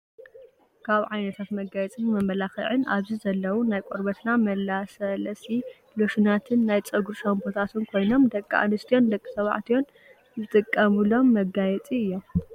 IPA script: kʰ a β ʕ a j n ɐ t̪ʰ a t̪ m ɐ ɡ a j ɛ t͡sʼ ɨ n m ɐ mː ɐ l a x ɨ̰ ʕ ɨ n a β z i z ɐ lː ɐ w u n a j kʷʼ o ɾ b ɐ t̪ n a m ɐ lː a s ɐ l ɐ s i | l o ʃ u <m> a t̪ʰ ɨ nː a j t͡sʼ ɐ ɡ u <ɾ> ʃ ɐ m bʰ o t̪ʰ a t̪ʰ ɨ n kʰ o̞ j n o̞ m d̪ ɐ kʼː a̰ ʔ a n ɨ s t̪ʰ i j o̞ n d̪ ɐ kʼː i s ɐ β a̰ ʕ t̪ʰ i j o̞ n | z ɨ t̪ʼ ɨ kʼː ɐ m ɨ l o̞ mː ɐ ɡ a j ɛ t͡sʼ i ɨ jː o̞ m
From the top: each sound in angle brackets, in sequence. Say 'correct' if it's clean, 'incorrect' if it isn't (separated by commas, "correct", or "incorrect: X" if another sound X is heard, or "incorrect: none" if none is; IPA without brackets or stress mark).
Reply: incorrect: n, correct